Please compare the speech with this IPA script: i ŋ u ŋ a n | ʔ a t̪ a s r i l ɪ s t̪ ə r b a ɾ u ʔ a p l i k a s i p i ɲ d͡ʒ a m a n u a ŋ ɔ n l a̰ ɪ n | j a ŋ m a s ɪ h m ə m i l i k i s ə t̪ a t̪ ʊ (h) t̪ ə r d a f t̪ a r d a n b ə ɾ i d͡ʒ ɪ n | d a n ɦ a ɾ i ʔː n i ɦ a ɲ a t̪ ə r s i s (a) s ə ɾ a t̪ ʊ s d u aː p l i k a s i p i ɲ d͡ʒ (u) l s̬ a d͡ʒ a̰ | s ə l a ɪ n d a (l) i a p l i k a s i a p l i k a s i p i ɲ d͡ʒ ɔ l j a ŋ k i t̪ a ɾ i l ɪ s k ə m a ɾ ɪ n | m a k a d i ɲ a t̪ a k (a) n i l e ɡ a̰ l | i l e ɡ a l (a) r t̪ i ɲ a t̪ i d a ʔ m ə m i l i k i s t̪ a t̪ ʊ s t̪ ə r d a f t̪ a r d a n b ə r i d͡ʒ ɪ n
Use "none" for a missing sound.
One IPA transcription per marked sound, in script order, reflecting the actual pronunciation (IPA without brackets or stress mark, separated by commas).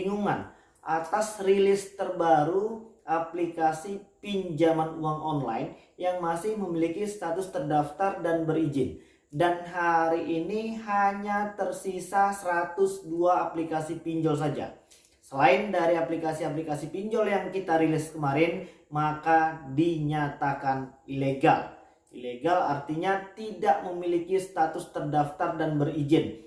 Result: s, a, ɔ, ɾ, a, a